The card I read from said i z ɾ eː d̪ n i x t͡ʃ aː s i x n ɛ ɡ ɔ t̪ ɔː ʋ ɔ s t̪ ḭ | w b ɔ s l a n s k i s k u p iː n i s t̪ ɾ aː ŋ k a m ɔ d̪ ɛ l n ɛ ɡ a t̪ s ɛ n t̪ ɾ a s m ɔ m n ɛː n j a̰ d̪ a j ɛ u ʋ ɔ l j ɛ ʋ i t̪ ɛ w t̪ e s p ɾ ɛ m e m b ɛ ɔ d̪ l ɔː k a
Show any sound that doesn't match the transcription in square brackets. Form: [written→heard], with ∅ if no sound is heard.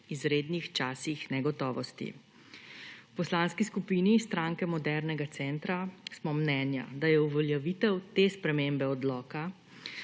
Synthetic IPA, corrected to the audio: i z ɾ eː d̪ n i x t͡ʃ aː s i x n ɛ ɡ ɔ t̪ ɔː ʋ ɔ s t̪ ḭ | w [b→p] ɔ s l a n s k i s k u p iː n i s t̪ ɾ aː ŋ k [a→ɛ] m ɔ d̪ ɛ [l→ɾ] n ɛ ɡ a t̪ s ɛ n t̪ ɾ a s m ɔ m n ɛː n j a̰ d̪ a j ɛ u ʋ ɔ l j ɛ ʋ i t̪ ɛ w t̪ e s p ɾ ɛ m e m b ɛ ɔ d̪ l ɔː k a